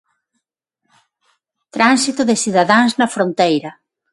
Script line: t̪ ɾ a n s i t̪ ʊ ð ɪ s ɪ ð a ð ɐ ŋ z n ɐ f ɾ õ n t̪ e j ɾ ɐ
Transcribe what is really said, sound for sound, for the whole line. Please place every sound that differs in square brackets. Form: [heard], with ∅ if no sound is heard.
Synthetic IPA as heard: t̪ ɾ a n s i t̪ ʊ ð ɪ s [i] ð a ð [a] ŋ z n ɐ f ɾ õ n t̪ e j ɾ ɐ